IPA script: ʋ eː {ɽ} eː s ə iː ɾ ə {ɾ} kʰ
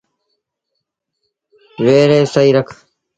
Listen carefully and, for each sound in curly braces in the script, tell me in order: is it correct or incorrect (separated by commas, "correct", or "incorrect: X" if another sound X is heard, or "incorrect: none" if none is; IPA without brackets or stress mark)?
incorrect: ɾ, incorrect: none